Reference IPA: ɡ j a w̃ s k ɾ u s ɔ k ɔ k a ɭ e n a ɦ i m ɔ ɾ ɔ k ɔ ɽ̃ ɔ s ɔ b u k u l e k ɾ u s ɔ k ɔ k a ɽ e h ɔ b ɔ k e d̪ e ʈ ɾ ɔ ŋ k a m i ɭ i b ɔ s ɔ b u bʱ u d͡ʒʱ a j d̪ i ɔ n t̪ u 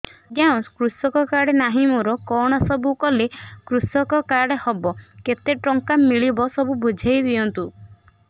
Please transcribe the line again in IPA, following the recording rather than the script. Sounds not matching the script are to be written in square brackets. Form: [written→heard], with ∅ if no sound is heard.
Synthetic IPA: ɡ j a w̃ s k ɾ u s ɔ k ɔ k a [ɭ→ɽ] e n a ɦ i m ɔ ɾ ɔ k ɔ ɽ̃ ɔ s ɔ b u k [u→ɔ] l e k ɾ u s ɔ k ɔ k a ɽ e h ɔ b ɔ k e [d̪→t̪] e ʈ ɾ ɔ ŋ k a m i ɭ i b ɔ s ɔ b u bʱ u d͡ʒʱ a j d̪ i ɔ n t̪ u